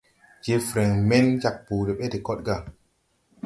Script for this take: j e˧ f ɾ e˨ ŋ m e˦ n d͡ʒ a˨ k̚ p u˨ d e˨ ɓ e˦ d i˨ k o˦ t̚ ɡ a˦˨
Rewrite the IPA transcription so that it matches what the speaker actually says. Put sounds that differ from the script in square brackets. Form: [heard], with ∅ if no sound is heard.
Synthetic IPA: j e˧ f ɾ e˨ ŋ m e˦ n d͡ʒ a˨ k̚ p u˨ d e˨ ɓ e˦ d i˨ k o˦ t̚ ɡ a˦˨

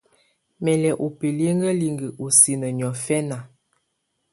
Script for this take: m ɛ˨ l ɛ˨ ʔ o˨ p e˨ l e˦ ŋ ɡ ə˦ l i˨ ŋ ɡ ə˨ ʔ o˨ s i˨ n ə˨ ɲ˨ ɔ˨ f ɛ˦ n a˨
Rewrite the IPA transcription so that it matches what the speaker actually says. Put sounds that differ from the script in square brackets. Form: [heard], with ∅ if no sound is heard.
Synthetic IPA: m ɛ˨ l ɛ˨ ʔ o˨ p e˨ l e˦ ŋ ɡ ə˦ l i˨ ŋ ɡ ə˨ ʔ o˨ s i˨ n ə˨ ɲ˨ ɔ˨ f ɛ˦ n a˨

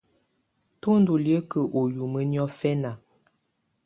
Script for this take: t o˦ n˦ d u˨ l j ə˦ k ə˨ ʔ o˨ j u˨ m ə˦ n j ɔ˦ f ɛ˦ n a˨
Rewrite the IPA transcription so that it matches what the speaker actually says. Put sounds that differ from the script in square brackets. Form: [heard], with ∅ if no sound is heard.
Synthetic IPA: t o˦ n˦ d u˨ l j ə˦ k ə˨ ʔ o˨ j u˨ m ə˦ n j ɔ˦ f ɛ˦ n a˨

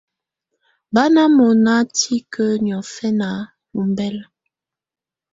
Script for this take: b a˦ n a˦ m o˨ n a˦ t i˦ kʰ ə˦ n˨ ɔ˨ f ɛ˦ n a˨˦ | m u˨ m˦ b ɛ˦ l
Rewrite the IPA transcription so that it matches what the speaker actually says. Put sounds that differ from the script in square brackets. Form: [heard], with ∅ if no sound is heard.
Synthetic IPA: b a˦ n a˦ m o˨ n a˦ t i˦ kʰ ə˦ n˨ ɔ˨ f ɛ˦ n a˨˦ | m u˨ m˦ b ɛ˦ l

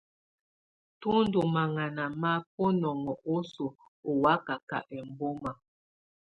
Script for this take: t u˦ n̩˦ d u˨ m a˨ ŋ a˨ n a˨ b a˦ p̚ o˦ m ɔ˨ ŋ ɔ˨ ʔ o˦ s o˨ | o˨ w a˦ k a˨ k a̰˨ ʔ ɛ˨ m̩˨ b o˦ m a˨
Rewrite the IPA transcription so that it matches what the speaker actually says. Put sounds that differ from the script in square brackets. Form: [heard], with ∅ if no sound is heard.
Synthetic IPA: t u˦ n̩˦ d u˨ m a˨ ŋ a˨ n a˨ [m] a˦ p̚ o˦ [n] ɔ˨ ŋ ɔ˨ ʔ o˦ s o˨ | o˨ w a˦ k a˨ k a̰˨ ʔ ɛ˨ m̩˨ b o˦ m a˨

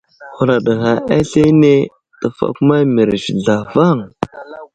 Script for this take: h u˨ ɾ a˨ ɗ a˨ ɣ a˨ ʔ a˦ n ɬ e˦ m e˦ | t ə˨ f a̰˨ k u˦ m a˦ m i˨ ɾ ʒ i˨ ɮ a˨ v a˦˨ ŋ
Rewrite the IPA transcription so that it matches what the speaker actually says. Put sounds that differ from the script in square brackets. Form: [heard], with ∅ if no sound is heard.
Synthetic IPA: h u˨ ɾ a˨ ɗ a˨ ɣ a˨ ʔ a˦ [∅] ɬ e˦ [n] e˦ | t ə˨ f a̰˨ k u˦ m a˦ m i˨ ɾ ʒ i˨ ɮ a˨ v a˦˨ ŋ

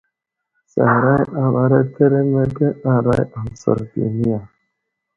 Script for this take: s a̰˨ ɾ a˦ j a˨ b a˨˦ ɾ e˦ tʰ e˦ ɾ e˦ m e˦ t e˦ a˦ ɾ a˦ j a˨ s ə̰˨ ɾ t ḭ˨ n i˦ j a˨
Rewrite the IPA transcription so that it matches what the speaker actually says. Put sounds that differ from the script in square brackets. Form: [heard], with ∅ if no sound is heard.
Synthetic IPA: s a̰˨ ɾ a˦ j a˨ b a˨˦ ɾ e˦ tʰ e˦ ɾ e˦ m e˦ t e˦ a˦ ɾ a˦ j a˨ s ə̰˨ ɾ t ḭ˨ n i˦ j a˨

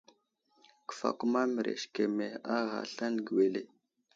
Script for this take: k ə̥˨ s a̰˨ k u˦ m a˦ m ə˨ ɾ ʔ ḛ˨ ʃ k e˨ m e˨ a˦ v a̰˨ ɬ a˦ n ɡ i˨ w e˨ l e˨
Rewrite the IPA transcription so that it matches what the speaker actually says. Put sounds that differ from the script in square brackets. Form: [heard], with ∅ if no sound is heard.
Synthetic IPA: k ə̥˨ [f] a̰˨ k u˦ m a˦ m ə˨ ɾ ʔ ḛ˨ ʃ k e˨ m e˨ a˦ [ɣ] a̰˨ ɬ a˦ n ɡ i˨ w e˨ l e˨

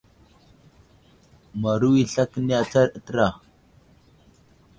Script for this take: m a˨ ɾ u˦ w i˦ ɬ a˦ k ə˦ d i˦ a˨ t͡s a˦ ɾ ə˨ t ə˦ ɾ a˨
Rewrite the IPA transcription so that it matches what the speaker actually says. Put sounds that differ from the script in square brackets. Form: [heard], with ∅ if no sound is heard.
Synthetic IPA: m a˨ ɾ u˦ w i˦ ɬ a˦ k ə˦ [n] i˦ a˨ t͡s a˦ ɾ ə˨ t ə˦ ɾ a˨

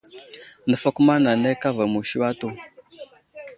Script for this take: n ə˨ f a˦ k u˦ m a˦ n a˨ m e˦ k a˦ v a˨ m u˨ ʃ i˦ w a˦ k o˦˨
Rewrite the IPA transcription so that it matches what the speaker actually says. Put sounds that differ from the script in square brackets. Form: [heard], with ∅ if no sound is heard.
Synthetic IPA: n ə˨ f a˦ k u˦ m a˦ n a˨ [n] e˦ k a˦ v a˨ m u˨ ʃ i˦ w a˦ [t] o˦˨

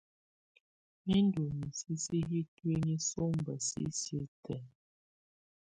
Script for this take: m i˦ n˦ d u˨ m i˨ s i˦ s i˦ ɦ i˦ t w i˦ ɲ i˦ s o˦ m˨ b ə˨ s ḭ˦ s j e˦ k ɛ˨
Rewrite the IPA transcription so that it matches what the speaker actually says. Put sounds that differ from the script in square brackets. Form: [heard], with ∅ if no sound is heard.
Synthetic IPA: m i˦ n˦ d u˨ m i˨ s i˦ s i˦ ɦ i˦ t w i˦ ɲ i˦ s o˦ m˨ b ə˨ s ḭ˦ s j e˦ [t] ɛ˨

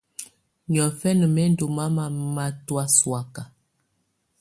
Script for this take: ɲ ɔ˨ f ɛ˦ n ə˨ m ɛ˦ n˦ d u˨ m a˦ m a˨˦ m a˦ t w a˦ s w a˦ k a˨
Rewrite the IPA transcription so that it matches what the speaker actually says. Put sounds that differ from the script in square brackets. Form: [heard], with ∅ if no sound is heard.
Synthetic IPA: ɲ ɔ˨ f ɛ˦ n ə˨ m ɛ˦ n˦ d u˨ m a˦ m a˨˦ m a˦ t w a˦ s w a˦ k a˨

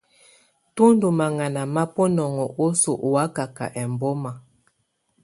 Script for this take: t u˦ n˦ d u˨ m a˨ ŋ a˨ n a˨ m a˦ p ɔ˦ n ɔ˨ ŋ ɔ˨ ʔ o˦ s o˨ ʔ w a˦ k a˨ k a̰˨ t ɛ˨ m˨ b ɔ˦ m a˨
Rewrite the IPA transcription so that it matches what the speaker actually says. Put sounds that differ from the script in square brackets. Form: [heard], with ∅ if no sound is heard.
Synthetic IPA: t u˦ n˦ d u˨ m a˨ ŋ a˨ n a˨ m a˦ p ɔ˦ n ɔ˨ ŋ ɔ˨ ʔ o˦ s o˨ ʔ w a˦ k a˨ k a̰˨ [ʔ] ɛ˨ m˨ b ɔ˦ m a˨

